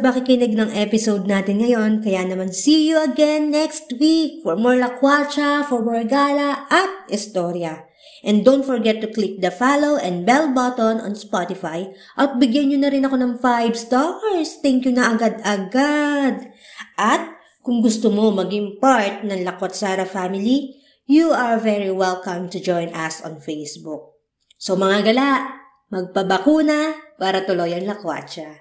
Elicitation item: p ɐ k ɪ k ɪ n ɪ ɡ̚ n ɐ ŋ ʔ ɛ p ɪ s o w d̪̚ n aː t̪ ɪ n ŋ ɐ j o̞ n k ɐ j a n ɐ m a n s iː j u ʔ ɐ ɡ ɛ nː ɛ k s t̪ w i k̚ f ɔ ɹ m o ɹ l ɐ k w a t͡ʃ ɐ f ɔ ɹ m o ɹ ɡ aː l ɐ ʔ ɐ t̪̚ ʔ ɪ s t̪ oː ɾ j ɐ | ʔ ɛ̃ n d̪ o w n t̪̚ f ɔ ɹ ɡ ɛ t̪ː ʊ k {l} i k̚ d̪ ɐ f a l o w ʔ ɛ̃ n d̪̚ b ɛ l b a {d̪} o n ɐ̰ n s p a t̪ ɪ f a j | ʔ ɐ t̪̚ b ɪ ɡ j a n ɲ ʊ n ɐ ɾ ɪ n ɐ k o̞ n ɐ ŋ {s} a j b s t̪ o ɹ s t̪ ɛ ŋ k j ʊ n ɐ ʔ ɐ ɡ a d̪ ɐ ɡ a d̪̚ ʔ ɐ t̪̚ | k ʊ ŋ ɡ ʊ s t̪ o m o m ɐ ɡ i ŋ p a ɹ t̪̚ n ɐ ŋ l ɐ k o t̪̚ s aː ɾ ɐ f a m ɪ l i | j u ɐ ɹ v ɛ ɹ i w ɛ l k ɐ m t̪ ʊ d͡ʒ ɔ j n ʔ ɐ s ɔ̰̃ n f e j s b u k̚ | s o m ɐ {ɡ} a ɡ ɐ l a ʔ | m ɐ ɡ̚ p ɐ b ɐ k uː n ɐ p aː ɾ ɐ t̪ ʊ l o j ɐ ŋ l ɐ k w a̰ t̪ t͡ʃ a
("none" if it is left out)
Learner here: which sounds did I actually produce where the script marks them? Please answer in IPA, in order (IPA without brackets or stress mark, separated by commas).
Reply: l, t̪, f, ŋ